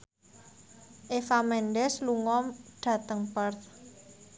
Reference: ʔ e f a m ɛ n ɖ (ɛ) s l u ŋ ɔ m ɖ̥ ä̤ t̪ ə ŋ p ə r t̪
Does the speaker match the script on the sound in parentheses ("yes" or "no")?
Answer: yes